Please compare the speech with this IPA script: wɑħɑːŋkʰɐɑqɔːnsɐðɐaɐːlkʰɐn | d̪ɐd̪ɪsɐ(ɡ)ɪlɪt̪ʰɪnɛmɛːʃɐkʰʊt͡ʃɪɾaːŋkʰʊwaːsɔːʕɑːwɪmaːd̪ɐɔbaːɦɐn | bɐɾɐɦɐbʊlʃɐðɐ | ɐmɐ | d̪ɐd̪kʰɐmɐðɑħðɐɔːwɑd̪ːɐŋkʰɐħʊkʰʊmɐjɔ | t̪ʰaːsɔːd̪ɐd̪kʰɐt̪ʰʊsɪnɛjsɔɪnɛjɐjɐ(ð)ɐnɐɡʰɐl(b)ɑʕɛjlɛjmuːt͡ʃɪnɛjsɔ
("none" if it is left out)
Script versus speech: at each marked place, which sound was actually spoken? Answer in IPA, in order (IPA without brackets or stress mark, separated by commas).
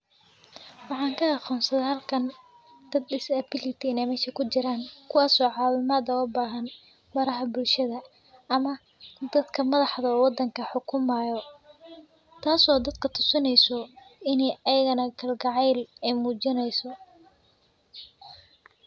b, ɣ, ɡ